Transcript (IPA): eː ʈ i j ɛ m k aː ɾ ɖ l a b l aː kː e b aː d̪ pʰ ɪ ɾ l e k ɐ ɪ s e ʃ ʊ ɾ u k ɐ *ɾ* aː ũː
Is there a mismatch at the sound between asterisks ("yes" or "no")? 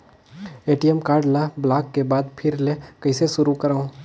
no